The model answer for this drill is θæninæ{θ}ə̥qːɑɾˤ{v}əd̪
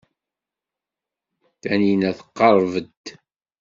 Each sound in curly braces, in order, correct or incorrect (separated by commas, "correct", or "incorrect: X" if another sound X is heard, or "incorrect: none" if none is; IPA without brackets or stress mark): correct, correct